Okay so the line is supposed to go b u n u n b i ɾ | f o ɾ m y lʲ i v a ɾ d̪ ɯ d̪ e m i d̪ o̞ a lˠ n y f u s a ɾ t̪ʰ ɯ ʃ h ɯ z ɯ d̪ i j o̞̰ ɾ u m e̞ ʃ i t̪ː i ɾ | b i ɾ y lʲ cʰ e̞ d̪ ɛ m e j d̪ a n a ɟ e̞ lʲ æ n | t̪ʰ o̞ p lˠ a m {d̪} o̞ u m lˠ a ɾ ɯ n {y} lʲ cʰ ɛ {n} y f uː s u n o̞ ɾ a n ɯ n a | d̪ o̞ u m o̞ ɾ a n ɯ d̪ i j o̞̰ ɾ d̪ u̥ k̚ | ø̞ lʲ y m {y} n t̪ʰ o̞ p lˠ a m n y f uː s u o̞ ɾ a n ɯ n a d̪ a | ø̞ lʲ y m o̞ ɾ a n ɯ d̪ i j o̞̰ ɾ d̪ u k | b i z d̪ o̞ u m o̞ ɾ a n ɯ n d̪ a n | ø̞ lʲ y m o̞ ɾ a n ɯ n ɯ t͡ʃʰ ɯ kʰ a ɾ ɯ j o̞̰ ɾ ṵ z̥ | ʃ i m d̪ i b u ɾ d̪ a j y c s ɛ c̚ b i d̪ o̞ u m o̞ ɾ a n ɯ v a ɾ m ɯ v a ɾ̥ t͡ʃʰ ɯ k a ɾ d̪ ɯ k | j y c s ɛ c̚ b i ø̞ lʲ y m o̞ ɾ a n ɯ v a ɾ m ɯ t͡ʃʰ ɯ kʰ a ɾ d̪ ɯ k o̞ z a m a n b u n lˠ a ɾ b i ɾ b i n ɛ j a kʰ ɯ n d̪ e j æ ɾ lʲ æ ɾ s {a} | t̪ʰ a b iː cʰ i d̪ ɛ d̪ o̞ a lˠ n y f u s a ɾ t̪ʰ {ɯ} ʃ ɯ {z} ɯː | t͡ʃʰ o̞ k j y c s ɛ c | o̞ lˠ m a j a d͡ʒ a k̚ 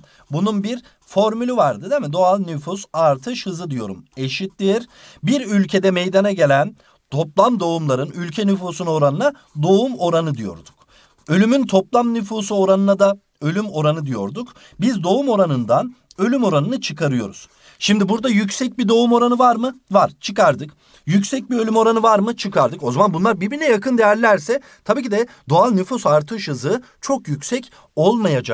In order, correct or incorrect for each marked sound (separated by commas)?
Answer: correct, correct, correct, correct, incorrect, correct, correct